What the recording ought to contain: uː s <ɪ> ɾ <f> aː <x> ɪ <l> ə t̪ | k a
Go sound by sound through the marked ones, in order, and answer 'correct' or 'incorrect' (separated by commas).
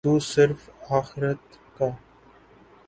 correct, correct, correct, incorrect